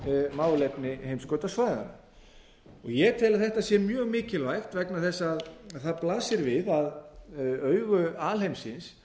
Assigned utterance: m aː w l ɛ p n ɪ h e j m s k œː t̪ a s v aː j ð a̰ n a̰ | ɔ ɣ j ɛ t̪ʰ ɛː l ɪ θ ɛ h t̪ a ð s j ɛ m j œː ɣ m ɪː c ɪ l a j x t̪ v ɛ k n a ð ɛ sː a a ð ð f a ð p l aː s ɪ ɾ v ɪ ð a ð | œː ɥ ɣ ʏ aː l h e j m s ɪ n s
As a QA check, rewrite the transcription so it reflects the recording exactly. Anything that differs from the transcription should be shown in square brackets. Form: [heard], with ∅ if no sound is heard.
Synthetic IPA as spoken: m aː w l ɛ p n ɪ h e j m s k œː t̪ a s v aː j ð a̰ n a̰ | ɔ ɣ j ɛ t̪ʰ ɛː l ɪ θ ɛ h t̪ a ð s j ɛ m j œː ɣ m ɪː c ɪ l a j x t̪ v ɛ k n a [θ] ɛ sː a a ð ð [θ] a ð p l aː s ɪ ɾ v ɪ ð a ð | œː ɥ ɣ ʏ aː l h e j m s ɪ n s